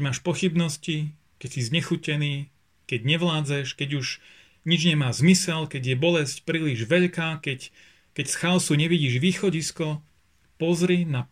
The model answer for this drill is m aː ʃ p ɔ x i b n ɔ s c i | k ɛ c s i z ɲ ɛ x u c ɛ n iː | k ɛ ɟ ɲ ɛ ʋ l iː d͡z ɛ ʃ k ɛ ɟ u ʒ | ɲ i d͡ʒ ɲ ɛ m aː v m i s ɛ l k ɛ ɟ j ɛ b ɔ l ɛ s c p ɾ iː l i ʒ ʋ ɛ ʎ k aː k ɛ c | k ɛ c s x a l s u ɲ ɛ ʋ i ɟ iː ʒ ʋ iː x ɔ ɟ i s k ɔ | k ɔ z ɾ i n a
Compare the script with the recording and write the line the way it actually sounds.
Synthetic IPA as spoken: m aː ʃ p ɔ x i b n ɔ s c i | k ɛ c s i z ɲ ɛ x u c ɛ n iː | k ɛ ɟ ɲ ɛ ʋ l aː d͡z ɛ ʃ k ɛ ɟ u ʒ | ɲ i d͡ʒ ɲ ɛ m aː z m i s ɛ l k ɛ ɟ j ɛ b ɔ l ɛ s c p ɾ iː l i ʒ ʋ ɛ ʎ k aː k ɛ c | k ɛ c s x a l s u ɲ ɛ ʋ i ɟ iː ʒ ʋ iː x ɔ ɟ i s k ɔ | p ɔ z ɾ i n a